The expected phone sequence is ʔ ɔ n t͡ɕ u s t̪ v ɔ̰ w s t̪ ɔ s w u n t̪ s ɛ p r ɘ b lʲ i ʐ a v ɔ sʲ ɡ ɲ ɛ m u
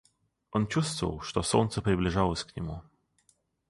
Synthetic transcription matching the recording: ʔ ɔ n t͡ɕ u s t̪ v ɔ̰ w ʂ t̪ ɔ s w ɔ n t̪ s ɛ p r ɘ b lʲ i ʐ a w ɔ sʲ k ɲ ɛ m u